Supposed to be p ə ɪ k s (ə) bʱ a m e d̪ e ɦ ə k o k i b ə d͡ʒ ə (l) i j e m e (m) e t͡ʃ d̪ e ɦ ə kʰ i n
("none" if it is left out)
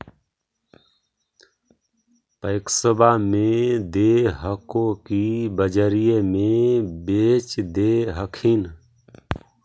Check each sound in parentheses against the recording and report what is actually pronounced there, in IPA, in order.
ə, ɾ, b

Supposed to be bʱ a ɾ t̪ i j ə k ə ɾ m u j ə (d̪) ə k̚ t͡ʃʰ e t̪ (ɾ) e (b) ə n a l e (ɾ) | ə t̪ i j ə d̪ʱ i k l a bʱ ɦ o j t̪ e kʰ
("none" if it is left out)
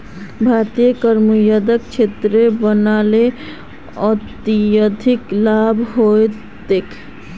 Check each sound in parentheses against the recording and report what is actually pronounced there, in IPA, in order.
d̪, ɾ, b, none

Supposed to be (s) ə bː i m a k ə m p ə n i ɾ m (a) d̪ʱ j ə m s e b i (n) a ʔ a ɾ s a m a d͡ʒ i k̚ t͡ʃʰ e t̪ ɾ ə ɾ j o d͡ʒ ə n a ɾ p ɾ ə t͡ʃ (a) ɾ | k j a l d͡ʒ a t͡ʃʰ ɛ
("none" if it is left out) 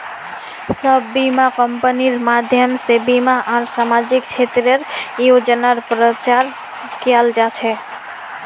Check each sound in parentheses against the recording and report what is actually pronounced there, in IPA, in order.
s, a, m, a

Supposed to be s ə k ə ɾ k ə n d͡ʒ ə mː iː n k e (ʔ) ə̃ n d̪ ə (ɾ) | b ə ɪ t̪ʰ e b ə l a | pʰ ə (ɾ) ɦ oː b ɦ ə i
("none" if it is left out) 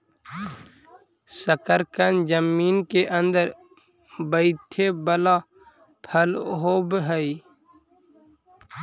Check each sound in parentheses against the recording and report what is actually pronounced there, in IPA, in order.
ʔ, ɾ, l

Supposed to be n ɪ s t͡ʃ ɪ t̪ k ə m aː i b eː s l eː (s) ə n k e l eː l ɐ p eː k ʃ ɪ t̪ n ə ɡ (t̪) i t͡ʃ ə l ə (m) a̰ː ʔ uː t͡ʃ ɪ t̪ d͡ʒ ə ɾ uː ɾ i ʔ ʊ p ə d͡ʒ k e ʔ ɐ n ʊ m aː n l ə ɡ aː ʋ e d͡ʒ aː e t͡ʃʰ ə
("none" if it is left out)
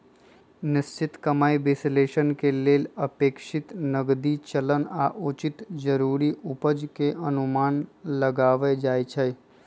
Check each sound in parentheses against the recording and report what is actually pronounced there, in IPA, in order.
ʃ, d̪, n

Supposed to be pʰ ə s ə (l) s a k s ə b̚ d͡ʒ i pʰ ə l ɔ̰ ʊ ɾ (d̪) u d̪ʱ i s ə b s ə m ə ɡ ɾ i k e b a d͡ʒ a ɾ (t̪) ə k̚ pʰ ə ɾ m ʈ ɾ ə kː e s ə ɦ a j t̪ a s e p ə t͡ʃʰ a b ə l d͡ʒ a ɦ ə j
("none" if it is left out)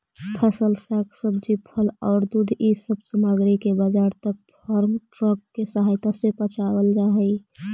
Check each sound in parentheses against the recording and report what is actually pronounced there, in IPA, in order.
l, d̪, t̪

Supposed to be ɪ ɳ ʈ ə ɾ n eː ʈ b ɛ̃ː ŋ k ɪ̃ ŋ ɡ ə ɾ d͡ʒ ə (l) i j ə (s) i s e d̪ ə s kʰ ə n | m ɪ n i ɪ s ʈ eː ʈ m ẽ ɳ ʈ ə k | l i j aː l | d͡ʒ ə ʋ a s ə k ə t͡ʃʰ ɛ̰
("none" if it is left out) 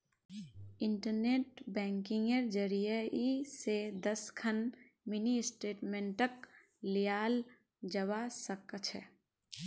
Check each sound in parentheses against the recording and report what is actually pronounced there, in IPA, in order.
ɾ, none

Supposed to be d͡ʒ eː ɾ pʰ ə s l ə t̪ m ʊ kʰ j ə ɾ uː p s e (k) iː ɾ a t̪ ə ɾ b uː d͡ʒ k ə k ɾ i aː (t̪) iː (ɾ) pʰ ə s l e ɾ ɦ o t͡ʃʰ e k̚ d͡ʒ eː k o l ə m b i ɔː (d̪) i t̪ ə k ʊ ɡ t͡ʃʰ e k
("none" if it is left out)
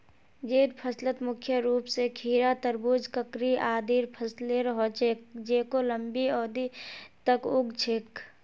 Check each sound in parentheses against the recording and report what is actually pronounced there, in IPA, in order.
kʰ, d̪, ɾ, d̪

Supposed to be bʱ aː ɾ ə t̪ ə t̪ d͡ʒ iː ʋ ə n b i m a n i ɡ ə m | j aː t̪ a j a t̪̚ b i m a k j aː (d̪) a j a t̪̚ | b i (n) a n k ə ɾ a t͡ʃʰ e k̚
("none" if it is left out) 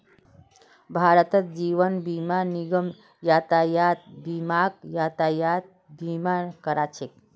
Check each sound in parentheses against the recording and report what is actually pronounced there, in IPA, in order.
t̪, m

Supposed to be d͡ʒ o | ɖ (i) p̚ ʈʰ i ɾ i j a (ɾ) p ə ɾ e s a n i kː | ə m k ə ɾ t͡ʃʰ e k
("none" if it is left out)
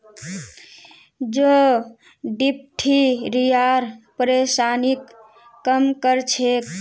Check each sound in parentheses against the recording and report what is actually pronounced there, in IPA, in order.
i, ɾ

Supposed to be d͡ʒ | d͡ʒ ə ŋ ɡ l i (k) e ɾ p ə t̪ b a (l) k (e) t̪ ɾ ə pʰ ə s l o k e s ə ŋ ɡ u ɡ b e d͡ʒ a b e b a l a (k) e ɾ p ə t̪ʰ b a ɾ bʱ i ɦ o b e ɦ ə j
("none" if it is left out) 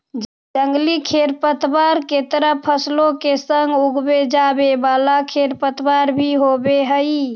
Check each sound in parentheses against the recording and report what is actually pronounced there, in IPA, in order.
kʰ, ɾ, e, kʰ

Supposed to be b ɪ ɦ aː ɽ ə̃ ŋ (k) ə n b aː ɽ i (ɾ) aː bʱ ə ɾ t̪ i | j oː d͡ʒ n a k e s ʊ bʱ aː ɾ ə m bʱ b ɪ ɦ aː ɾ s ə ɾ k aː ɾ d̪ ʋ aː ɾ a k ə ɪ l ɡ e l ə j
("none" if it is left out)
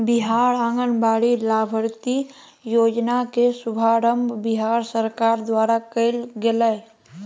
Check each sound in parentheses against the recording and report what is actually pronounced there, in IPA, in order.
ɡ, l

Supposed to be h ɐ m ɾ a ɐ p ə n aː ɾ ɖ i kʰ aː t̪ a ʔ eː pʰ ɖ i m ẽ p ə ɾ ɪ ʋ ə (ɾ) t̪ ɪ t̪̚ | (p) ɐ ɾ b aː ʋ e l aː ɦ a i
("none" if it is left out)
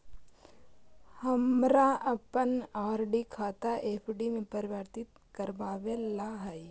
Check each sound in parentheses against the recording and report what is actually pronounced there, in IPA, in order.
ɾ, k

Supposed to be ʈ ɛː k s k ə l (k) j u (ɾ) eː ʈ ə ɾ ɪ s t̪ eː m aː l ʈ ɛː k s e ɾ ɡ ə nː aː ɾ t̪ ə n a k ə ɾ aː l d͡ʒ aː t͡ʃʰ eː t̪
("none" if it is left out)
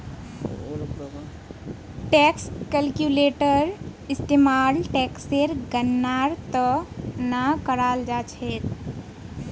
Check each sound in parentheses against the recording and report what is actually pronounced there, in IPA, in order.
k, l

